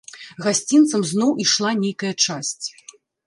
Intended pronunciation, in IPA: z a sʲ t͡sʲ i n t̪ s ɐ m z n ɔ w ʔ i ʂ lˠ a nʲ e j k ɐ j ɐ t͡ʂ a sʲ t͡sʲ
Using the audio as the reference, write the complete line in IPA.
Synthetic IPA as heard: ɣ a sʲ t͡sʲ i n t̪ s ɐ m z n ɔ w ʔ i ʂ lˠ a nʲ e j k ɐ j ɐ t͡ʂ a sʲ t͡sʲ